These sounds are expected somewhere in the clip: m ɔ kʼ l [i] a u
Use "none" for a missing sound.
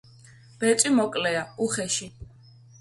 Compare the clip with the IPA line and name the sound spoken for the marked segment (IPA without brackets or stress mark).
ɛ